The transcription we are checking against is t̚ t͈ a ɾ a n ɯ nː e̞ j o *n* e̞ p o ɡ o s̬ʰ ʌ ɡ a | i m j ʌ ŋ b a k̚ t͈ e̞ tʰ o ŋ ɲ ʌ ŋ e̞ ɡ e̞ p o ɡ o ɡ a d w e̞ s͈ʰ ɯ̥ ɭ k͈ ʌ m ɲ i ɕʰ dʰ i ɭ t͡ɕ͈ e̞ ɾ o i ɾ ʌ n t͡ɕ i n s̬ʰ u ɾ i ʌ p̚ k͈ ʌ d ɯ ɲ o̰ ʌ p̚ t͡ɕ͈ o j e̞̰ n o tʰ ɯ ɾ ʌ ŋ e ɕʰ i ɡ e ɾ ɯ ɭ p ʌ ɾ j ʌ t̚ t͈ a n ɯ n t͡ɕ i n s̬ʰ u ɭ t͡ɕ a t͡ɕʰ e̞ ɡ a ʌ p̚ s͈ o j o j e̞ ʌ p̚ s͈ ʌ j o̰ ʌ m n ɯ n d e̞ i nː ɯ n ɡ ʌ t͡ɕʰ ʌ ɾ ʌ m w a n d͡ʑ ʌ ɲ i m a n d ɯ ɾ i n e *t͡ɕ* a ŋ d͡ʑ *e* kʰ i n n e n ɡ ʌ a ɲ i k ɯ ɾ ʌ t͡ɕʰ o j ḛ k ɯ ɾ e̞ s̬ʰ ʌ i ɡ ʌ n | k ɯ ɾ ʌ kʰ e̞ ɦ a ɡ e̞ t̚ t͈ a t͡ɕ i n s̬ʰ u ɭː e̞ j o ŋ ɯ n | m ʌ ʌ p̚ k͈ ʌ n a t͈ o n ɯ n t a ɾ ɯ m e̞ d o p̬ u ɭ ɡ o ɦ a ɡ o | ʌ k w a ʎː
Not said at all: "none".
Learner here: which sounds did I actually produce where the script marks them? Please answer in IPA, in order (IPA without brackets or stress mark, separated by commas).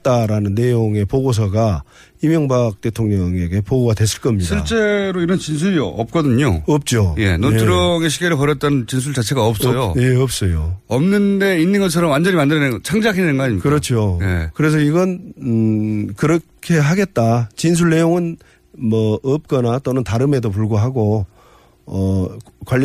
ŋ, t͡ɕʰ, a